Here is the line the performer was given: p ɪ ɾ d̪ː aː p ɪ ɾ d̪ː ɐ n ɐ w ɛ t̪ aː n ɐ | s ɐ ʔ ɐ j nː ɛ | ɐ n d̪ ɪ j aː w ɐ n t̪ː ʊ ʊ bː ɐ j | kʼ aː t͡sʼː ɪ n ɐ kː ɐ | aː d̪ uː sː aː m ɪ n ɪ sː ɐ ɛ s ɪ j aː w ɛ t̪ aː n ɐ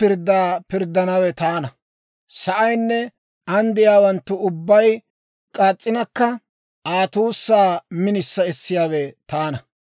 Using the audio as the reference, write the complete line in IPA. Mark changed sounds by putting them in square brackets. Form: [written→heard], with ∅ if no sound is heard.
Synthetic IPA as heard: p ɪ ɾ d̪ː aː p ɪ ɾ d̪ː ɐ n ɐ w ɛ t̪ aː n ɐ | s ɐ ʔ ɐ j nː ɛ | ɐ n d̪ ɪ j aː w ɐ n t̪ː ʊ ʊ bː ɐ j | kʼ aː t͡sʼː ɪ n ɐ kː ɐ | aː [d̪→t̪] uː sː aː m ɪ n ɪ sː ɐ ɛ [s→sː] ɪ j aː w ɛ t̪ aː n ɐ